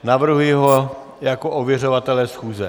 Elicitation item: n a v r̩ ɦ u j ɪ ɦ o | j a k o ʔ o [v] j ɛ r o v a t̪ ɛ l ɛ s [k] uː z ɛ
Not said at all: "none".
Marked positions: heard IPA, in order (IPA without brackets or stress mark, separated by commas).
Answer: v, x